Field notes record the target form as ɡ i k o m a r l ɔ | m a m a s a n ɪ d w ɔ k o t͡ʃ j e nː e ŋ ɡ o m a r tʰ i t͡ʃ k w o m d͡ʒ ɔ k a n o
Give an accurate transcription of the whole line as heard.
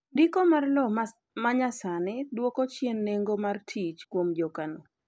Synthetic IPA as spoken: d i k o m a r l ɔ | m a ɲ a s a n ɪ d w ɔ k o t͡ʃ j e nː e ŋ ɡ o m a r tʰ i t͡ʃ k w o m d͡ʒ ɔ k a n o

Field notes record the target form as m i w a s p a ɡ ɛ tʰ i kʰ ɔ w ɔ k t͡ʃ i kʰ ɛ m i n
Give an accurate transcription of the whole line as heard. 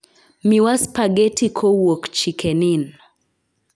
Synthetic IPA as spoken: m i w a s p a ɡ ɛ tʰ i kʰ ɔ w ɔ k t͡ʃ i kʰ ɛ n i n

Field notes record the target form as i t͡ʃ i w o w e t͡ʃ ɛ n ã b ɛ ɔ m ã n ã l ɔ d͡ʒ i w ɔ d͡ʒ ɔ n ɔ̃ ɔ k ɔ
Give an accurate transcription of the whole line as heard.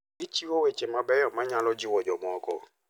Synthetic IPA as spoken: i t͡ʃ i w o w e t͡ʃ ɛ m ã b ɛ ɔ m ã ɲ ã l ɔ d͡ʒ i w ɔ d͡ʒ ɔ m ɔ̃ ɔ k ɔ

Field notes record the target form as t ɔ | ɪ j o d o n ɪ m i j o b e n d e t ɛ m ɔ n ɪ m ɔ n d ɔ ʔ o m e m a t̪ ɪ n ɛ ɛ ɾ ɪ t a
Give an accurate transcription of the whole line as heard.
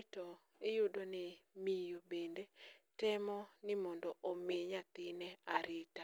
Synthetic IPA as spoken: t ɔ | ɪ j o d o n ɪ m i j o b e n d e t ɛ m ɔ n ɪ m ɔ n d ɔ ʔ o m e ɲ a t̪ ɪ n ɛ a ɾ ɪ t a

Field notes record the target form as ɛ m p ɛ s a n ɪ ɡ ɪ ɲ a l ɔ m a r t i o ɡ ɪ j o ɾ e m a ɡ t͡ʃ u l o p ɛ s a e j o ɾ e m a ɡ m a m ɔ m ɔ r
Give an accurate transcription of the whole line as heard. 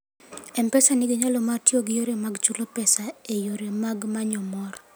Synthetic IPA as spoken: ɛ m p ɛ s a n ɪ ɡ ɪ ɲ a l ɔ m a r t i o ɡ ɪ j o ɾ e m a ɡ t͡ʃ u l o p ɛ s a e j o ɾ e m a ɡ m a ɲ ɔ m ɔ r

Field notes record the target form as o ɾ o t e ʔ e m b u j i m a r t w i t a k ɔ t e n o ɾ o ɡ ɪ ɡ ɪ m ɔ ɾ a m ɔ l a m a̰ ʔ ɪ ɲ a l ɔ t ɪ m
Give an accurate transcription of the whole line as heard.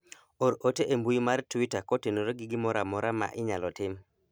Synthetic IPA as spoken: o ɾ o t e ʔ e m b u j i m a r t w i t a k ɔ t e n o ɾ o ɡ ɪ ɡ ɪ m ɔ ɾ a m ɔ ɾ a m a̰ ʔ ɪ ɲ a l ɔ t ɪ m

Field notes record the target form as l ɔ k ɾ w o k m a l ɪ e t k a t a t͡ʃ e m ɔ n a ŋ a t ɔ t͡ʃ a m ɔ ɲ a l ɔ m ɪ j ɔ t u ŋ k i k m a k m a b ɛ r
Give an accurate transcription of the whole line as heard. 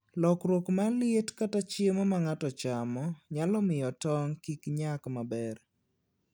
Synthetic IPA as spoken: l ɔ k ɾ w o k m a l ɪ e t k a t a t͡ʃ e m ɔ m a ŋ a t ɔ t͡ʃ a m ɔ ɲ a l ɔ m ɪ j ɔ t ɔ ŋ k i k ɲ a k m a b ɛ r

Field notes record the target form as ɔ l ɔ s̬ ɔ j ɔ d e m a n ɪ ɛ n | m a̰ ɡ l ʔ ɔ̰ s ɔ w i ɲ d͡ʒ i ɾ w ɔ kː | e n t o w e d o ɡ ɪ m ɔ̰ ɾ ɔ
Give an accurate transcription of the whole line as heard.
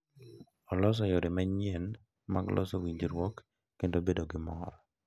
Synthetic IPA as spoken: ɔ l ɔ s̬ ɔ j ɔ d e m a ɲ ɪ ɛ n | m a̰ ɡ l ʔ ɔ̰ s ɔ w i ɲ d͡ʒ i ɾ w ɔ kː | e n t o b e d o ɡ ɪ m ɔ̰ ɾ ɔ

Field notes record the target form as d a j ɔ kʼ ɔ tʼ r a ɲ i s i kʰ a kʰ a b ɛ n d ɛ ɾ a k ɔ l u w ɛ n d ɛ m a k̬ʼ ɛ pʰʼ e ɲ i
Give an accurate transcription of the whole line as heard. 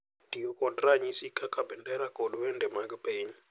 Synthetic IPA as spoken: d i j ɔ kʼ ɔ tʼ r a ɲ i s i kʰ a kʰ a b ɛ n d ɛ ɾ a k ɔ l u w ɛ n d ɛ m a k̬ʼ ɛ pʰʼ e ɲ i

